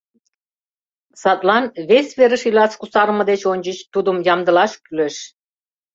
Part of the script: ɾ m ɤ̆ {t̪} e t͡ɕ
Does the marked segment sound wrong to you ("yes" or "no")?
yes